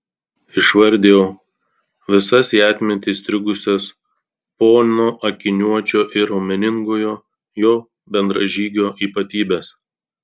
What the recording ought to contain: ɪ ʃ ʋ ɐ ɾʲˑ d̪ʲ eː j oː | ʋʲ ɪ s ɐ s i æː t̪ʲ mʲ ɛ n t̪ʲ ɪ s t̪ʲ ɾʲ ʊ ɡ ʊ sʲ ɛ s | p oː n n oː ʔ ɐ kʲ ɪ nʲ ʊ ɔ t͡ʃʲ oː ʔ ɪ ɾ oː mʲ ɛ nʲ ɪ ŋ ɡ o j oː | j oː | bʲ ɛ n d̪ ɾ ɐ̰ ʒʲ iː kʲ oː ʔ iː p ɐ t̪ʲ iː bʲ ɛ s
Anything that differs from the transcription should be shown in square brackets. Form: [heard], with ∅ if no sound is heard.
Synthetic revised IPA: ɪ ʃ ʋ ɐ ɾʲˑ d̪ʲ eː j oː | ʋʲ ɪ s ɐ s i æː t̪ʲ mʲ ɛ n t̪ʲ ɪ s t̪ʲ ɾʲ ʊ ɡ ʊ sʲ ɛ s | p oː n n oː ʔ ɐ kʲ ɪ nʲ [u] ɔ t͡ʃʲ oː ʔ ɪ ɾ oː mʲ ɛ nʲ ɪ ŋ ɡ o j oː | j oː | bʲ ɛ n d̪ ɾ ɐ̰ ʒʲ iː [ɡʲ] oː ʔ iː p ɐ t̪ʲ iː bʲ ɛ s

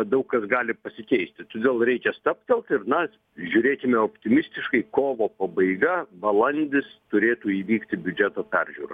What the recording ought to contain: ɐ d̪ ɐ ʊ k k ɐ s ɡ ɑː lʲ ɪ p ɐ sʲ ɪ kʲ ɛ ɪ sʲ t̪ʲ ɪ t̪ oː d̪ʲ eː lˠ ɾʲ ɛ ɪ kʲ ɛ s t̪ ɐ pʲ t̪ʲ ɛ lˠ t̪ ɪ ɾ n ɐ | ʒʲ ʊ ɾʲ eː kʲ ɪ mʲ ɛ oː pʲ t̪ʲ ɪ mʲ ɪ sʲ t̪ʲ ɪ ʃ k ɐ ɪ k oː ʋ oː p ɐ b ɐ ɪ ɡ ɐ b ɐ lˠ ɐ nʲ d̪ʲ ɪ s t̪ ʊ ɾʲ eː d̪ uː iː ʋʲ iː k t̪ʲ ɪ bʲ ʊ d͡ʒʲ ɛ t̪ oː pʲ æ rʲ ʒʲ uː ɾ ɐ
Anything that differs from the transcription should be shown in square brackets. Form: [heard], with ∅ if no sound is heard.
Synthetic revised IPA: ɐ d̪ ɐ ʊ k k ɐ s ɡ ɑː lʲ ɪ p ɐ sʲ ɪ kʲ ɛ ɪ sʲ t̪ʲ ɪ t̪ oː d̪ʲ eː lˠ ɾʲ ɛ ɪ kʲ ɛ s t̪ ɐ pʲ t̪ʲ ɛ lˠ t̪ ɪ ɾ n ɐ | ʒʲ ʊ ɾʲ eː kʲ ɪ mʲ ɛ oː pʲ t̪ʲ ɪ mʲ ɪ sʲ t̪ʲ ɪ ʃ k ɐ ɪ k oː ʋ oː p ɐ b ɐ ɪ ɡ ɐ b ɐ lˠ ɐ nʲ d̪ʲ ɪ s t̪ ʊ ɾʲ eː [t̪] uː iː ʋʲ iː k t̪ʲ ɪ bʲ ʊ d͡ʒʲ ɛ t̪ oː pʲ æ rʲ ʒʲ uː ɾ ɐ

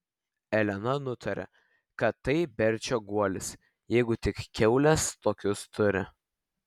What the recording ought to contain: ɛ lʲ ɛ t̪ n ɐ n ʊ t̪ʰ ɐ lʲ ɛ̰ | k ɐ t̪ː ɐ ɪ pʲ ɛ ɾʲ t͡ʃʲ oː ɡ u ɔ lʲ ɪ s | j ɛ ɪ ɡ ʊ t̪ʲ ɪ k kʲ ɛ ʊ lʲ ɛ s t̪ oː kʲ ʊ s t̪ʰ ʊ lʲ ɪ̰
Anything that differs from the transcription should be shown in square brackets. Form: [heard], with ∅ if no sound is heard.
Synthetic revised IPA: ɛ lʲ ɛ [∅] n ɐ n ʊ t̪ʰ ɐ [ɾʲ] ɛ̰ | k ɐ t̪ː ɐ ɪ [bʲ] ɛ ɾʲ t͡ʃʲ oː ɡ u ɔ lʲ ɪ s | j ɛ ɪ ɡ ʊ t̪ʲ ɪ k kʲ ɛ ʊ lʲ ɛ s t̪ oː kʲ ʊ s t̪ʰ ʊ [ɾʲ] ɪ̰

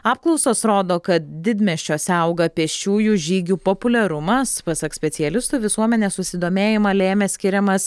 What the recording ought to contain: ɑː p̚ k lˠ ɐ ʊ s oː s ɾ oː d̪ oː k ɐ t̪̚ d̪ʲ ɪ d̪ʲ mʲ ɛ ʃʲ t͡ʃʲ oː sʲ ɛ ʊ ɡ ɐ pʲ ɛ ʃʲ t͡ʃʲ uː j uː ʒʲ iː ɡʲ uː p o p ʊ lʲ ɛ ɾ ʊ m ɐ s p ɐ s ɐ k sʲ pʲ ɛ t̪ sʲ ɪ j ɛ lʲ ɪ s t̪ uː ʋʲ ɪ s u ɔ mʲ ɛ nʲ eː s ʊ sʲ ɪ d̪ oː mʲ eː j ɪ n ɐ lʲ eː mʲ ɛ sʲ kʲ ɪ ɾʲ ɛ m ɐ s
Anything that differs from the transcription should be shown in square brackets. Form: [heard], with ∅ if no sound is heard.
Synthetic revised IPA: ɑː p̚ k lˠ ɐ ʊ s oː s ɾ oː d̪ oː k ɐ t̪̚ d̪ʲ ɪ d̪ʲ mʲ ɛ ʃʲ t͡ʃʲ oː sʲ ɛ ʊ ɡ ɐ pʲ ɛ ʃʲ t͡ʃʲ uː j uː ʒʲ iː ɡʲ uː p o p ʊ lʲ ɛ ɾ ʊ m ɐ s p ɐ s ɐ k sʲ pʲ ɛ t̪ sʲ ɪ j ɛ lʲ ɪ s t̪ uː ʋʲ ɪ s u ɔ mʲ ɛ nʲ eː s ʊ sʲ ɪ d̪ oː mʲ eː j ɪ [m] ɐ lʲ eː mʲ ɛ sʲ kʲ ɪ ɾʲ ɛ m ɐ s

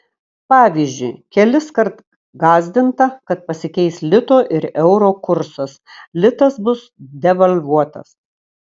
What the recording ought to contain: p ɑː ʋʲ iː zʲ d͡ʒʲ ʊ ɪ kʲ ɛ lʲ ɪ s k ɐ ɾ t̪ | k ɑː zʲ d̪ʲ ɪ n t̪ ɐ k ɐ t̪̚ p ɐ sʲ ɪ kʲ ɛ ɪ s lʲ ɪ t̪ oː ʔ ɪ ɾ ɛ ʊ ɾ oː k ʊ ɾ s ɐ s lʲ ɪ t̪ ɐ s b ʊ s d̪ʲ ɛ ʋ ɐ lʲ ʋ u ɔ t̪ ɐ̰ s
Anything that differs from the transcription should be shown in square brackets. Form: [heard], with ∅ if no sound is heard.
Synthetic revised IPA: p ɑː ʋʲ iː zʲ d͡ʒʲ ʊ ɪ kʲ ɛ lʲ ɪ s k ɐ ɾ t̪ | [ɡ] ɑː zʲ d̪ʲ ɪ n t̪ ɐ k ɐ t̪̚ p ɐ sʲ ɪ kʲ ɛ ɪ s lʲ ɪ t̪ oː ʔ ɪ ɾ ɛ ʊ ɾ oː k ʊ ɾ s ɐ s lʲ ɪ t̪ ɐ s b ʊ s d̪ʲ ɛ ʋ ɐ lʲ ʋ u ɔ t̪ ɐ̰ s

